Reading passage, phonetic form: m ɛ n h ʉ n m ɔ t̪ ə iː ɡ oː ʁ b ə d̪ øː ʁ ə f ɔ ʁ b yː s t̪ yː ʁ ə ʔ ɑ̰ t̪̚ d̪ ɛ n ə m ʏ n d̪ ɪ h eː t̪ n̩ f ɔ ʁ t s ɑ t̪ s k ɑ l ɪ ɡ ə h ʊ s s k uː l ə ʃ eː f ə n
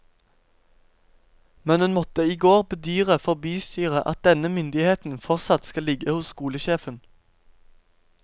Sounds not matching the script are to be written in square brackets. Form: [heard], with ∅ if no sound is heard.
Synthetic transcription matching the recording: m ɛ n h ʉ n m ɔ t̪ ə iː ɡ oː ʁ b ə d̪ [yː] ʁ ə f ɔ ʁ b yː s t̪ yː ʁ ə ʔ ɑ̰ t̪̚ d̪ ɛ n ə m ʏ n d̪ ɪ h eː t̪ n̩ f ɔ ʁ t s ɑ t̪ s k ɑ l ɪ ɡ ə h ʊ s s k uː l ə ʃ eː f ə n